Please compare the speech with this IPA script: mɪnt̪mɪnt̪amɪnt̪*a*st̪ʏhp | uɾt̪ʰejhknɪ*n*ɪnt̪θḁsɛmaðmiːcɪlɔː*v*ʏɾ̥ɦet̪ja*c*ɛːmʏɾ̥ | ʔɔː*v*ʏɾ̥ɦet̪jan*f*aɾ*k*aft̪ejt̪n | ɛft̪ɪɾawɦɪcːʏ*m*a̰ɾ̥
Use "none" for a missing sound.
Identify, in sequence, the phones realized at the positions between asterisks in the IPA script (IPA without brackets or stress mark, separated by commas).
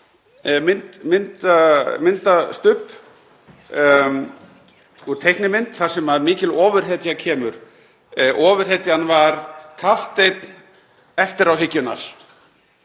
a, m, v, cʰ, v, v, kʰ, n